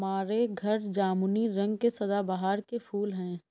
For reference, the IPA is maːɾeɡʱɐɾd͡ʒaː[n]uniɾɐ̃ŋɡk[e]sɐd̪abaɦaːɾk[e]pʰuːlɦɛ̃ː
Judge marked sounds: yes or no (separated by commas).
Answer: no, yes, yes